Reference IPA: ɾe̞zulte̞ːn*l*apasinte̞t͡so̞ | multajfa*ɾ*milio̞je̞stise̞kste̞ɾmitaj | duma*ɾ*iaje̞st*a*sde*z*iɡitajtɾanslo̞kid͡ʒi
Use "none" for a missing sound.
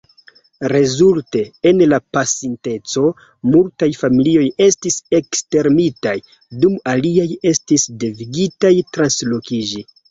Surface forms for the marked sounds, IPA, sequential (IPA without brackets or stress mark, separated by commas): l, none, l, i, v